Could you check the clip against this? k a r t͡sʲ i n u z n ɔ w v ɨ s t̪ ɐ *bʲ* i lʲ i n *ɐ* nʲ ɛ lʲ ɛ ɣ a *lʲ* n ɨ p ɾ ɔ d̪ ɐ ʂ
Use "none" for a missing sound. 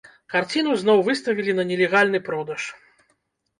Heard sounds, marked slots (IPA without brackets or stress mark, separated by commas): vʲ, ɐ, lʲ